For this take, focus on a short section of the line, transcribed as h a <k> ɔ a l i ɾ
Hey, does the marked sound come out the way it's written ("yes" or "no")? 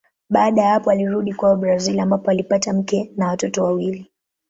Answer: no